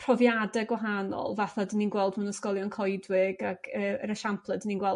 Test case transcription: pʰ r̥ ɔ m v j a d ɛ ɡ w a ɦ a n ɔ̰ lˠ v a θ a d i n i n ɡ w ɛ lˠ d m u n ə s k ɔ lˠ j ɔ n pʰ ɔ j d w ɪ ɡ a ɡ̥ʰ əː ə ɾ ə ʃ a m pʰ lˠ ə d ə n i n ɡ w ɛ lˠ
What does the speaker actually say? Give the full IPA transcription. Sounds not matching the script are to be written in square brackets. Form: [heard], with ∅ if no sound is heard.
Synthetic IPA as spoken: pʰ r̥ ɔ [∅] v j a d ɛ ɡ w a ɦ a n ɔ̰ lˠ v a θ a d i n i n ɡ w ɛ lˠ d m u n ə s k ɔ lˠ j ɔ n [kʰ] ɔ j d w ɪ ɡ a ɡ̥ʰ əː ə ɾ ə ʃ a m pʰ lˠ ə d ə n i n ɡ w ɛ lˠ